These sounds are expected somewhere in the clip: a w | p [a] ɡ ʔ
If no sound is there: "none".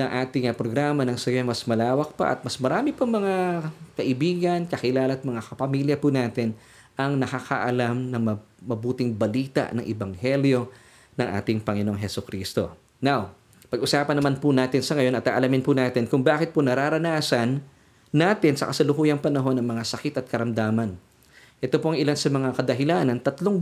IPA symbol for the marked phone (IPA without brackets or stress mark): ɐ